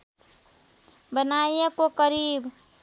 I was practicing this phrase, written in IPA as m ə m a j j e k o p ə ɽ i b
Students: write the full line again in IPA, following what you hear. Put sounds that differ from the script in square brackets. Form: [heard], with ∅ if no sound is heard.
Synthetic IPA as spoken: [b] ə [n] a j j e k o [k] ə [ɾ] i b